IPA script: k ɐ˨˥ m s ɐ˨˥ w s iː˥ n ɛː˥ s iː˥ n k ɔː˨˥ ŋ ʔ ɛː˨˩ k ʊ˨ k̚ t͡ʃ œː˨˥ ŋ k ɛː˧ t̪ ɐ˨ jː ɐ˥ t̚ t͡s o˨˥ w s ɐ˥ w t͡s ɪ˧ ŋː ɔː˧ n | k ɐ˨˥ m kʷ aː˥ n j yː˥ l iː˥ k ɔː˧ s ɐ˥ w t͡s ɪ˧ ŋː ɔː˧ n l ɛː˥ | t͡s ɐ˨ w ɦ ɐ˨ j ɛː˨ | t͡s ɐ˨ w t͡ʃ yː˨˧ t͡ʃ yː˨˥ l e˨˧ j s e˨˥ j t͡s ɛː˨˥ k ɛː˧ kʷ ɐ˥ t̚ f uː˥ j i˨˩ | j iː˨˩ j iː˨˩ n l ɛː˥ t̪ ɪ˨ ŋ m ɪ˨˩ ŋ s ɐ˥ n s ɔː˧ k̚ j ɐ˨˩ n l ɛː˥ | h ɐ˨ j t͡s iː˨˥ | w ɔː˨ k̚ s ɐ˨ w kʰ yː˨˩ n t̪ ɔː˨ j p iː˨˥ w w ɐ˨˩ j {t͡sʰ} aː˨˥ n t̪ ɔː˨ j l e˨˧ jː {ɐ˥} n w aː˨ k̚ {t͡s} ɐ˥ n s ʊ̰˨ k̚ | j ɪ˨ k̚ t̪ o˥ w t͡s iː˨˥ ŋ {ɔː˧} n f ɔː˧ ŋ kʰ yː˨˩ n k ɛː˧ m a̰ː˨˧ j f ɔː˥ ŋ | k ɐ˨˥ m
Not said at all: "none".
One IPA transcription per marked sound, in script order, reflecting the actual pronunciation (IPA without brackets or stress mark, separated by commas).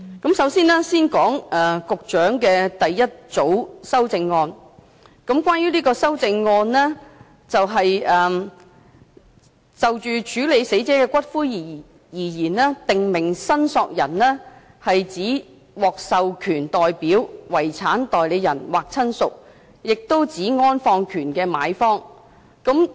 t͡sʰ, ɐ˨˩, t͡sʰ, ɔː˥